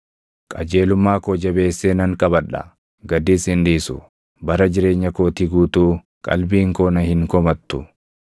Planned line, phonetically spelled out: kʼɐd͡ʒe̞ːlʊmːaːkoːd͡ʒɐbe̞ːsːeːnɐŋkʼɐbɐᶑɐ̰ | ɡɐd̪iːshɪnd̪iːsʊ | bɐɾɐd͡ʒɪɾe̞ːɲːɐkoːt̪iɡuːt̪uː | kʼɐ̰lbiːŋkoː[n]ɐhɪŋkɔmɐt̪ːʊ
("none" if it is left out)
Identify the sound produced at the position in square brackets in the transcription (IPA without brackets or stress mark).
n